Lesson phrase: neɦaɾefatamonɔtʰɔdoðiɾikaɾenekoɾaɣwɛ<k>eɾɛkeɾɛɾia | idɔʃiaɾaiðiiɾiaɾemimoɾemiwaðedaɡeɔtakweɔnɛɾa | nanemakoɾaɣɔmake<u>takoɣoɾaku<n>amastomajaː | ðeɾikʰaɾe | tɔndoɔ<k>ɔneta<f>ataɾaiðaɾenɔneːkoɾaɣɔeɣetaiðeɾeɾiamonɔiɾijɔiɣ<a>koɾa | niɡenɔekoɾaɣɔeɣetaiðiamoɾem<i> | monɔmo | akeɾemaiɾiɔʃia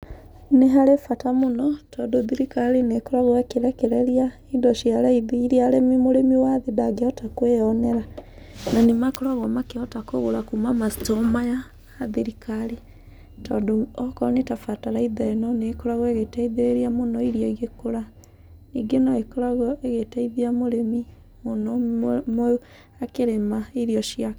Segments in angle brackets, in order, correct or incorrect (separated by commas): correct, incorrect, incorrect, correct, correct, incorrect, correct